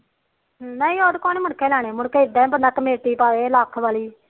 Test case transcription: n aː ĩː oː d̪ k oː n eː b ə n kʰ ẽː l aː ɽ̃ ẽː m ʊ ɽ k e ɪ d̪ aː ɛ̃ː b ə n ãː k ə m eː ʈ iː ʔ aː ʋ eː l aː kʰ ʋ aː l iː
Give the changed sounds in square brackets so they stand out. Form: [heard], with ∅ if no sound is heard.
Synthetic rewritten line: n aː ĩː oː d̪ k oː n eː [m] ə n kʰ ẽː l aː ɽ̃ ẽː m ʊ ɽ k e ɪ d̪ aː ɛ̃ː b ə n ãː k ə m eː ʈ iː [p] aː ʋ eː l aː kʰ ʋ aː l iː